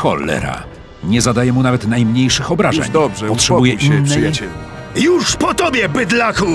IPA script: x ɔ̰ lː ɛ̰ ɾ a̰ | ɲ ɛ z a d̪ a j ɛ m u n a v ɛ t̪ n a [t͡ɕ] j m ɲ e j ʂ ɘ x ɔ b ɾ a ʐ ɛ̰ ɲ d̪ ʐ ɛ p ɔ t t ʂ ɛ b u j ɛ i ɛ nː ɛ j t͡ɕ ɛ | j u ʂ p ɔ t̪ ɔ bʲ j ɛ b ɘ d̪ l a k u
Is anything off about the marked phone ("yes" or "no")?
yes